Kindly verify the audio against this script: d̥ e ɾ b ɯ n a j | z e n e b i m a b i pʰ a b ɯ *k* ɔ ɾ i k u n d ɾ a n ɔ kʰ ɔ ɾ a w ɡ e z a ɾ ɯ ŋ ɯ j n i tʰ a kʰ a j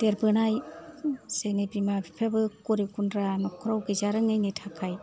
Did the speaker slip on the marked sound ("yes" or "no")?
no